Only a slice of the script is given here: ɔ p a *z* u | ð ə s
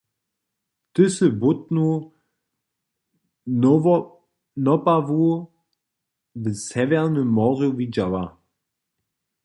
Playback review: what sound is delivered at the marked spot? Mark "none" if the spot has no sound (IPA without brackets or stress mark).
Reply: v